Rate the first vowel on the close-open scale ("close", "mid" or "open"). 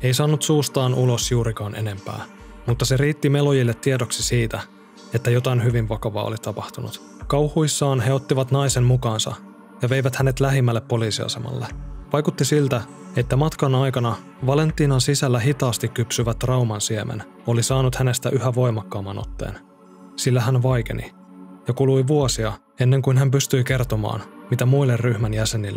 mid